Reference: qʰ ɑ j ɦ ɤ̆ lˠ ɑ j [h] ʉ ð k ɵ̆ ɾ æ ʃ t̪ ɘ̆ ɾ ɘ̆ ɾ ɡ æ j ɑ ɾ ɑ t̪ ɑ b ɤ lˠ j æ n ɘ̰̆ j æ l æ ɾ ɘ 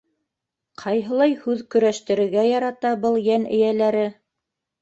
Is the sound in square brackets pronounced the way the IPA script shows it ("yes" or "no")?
yes